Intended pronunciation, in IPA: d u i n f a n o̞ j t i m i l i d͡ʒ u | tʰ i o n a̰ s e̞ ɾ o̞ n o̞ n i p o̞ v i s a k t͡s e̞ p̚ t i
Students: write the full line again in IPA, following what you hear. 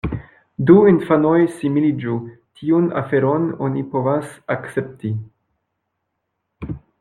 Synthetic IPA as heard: d u i n f a n o̞ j s i m i l i d͡ʒ u | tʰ i u n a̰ f e̞ ɾ o̞ n o̞ n i p o̞ v a s a k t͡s e̞ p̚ t i